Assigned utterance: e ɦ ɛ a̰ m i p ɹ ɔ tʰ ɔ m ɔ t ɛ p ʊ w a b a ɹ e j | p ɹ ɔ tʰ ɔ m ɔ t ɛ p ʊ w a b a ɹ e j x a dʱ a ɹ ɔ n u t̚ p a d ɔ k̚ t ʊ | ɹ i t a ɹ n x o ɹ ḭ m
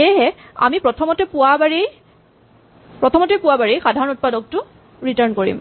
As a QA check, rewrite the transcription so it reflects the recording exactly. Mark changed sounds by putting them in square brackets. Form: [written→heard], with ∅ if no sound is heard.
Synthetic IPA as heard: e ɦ ɛ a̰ m i p ɹ ɔ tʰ ɔ m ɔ t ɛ p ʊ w a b a ɹ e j | p ɹ ɔ tʰ ɔ m ɔ t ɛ p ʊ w a b a ɹ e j x a dʱ a ɹ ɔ n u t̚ p a d ɔ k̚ t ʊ | ɹ i t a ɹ n [x→k] o ɹ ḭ m